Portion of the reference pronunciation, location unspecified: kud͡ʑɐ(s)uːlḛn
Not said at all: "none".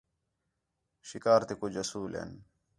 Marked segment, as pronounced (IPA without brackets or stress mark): s